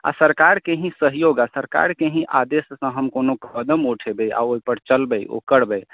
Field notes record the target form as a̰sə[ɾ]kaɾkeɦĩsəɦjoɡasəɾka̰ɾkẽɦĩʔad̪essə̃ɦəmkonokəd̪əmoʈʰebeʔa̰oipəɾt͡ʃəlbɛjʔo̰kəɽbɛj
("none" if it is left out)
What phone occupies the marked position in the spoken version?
ɾ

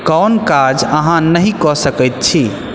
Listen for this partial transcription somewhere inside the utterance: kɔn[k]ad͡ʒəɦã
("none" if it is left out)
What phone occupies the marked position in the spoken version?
k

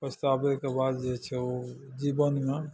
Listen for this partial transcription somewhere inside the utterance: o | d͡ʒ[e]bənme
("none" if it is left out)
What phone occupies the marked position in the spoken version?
i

